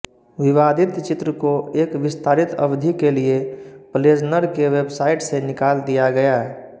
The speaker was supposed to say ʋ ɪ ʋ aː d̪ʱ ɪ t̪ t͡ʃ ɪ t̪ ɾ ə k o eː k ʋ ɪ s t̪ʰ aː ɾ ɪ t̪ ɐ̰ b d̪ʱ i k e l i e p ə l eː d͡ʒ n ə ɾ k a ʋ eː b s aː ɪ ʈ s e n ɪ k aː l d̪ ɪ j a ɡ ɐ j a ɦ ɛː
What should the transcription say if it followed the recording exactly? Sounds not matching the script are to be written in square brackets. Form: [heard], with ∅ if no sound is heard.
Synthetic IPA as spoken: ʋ ɪ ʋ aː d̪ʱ ɪ t̪ t͡ʃ ɪ t̪ ɾ ə k o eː k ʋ ɪ s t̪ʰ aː ɾ ɪ t̪ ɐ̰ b d̪ʱ i k e l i e p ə l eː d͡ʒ n ə ɾ k [e] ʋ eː b s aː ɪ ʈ s e n ɪ k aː l d̪ [i] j a ɡ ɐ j a ɦ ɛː